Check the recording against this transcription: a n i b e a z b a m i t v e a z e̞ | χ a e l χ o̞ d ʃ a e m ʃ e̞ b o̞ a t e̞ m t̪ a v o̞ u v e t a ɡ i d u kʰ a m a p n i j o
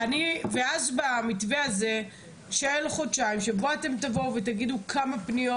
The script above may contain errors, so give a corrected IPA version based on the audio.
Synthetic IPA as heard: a n i v e a z b a m i t v e a z e̞ | ʃ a e l χ o̞ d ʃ a i m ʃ e̞ b o̞ a t e̞ m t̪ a v o̞ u v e t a ɡ i d u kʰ a m a p n i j o